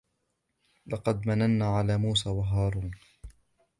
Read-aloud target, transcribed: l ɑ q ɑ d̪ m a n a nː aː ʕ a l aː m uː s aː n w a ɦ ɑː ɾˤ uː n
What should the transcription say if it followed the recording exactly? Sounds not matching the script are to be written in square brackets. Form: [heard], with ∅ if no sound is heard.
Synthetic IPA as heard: l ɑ q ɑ d̪ m a n a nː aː ʕ a l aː m uː s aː [∅] w a ɦ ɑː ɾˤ uː n